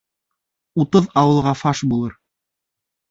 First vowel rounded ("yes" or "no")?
yes